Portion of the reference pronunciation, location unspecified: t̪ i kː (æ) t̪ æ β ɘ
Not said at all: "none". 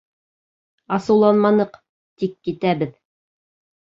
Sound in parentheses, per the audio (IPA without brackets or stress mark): i